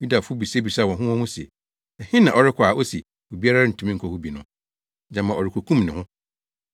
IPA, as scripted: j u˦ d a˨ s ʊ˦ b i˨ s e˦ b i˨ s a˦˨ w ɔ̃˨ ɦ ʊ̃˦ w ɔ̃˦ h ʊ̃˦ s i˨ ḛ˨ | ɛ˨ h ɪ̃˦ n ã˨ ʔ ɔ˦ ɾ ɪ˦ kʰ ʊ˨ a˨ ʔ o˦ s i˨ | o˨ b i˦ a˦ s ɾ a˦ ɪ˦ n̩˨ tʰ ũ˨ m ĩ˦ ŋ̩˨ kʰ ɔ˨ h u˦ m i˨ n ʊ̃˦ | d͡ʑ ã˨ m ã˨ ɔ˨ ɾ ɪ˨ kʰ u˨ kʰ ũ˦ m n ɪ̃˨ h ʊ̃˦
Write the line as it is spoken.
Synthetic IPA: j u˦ d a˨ f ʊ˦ b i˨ s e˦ b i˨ s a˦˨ w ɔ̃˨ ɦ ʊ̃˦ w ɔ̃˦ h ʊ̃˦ s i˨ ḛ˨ | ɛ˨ h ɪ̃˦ n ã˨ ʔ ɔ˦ ɾ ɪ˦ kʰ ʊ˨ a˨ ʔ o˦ s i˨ | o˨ b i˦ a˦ ɾ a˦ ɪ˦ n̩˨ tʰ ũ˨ m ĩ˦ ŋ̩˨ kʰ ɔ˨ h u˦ b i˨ n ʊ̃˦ | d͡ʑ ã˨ m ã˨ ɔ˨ ɾ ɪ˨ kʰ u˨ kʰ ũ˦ m n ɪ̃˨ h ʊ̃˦